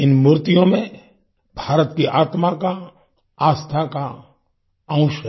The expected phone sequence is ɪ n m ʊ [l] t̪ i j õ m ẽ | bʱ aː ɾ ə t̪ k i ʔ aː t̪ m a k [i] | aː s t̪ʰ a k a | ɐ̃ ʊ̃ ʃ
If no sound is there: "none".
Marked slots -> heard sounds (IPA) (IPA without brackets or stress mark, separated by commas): ɾ, a